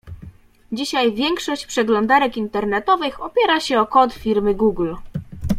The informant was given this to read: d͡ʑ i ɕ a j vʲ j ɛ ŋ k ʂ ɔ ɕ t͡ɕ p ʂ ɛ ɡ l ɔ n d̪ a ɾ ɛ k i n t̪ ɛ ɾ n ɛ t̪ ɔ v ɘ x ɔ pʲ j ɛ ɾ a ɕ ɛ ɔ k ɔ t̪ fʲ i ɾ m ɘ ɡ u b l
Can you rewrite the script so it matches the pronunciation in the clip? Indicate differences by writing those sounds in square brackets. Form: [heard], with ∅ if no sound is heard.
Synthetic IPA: d͡ʑ i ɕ a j vʲ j ɛ ŋ k ʂ ɔ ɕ t͡ɕ p ʂ ɛ ɡ l ɔ n d̪ a ɾ ɛ k i n t̪ ɛ ɾ n ɛ t̪ ɔ v ɘ x ɔ pʲ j ɛ ɾ a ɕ ɛ ɔ k ɔ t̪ fʲ i ɾ m ɘ ɡ u [ɡ] l